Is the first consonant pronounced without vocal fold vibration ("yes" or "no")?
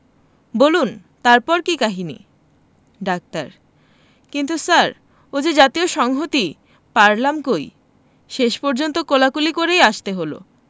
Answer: no